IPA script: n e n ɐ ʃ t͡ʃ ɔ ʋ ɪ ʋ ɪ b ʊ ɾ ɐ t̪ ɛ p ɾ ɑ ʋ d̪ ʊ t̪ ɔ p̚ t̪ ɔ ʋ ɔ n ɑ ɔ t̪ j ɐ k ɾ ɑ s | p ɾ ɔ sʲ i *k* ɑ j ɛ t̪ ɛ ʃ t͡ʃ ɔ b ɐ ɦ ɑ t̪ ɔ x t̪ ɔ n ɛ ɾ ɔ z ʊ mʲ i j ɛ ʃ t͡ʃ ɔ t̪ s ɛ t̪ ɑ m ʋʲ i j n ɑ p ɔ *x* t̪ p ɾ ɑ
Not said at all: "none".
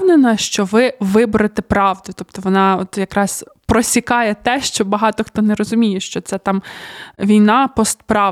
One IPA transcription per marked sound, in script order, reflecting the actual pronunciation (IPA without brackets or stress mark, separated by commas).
k, s